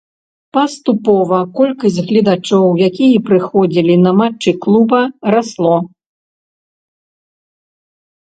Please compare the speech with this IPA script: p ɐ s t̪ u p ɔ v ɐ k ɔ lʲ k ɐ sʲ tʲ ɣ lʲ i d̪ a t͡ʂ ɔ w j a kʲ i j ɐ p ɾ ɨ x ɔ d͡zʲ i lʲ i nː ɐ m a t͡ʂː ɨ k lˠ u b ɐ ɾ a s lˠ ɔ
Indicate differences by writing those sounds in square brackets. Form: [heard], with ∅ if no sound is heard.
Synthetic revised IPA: p ɐ s t̪ u p ɔ v ɐ k ɔ lʲ k ɐ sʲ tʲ ɣ lʲ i d̪ a t͡ʂ ɔ w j a kʲ i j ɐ p ɾ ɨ x ɔ d͡zʲ i lʲ i [n] ɐ m a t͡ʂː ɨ k lˠ u b ɐ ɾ a s lˠ ɔ